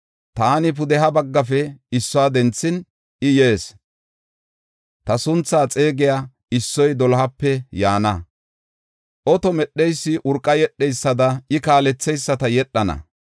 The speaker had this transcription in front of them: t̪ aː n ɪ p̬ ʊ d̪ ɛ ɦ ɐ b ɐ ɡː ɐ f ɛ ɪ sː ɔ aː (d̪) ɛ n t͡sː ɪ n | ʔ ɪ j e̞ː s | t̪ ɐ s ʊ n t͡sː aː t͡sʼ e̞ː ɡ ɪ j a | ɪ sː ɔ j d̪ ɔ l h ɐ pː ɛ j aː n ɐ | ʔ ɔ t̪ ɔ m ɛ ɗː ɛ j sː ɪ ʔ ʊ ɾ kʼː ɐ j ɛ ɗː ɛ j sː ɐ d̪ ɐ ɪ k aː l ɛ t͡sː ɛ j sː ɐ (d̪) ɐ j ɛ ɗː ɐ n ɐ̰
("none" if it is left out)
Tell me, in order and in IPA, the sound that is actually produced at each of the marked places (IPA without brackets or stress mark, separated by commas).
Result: d̪, t̪